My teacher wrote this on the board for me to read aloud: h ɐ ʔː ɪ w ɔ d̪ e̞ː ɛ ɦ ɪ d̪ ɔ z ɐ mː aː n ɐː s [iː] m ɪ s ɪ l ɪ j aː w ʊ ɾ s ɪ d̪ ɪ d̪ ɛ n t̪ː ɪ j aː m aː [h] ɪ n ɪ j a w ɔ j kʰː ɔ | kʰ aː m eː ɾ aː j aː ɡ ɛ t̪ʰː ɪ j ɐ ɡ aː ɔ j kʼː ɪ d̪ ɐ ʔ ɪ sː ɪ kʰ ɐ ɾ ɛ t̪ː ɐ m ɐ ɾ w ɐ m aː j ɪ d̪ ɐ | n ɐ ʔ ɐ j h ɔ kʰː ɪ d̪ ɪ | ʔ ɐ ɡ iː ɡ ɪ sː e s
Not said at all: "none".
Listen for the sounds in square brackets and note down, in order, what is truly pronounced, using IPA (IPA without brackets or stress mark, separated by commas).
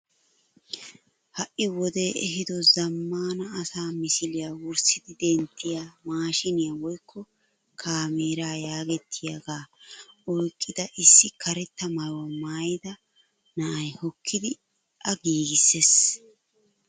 aː, ʃ